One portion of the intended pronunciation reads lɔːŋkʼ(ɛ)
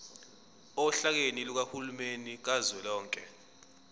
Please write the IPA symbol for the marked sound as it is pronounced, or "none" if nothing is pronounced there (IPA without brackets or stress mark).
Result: ɛ